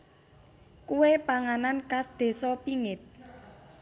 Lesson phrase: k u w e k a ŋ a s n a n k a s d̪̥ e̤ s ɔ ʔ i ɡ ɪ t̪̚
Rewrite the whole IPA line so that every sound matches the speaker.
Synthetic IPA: k u w e p a ŋ a n a n k a s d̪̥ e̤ s ɔ p i ŋ ɪ t̪̚